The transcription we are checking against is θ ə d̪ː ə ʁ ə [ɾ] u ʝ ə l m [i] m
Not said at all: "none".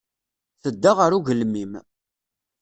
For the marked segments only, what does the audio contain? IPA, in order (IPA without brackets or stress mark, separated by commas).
ɾ, i